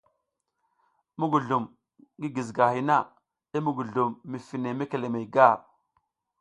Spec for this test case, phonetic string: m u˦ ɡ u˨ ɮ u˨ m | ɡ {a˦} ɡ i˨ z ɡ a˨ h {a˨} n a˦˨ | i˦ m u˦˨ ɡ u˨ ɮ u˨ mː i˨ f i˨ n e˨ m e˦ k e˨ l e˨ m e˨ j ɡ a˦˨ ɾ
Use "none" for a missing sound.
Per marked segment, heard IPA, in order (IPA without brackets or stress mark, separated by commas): i˦, i˨